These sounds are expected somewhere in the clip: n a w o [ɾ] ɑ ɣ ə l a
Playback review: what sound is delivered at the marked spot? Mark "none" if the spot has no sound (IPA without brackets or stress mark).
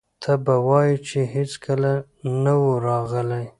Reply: ɾ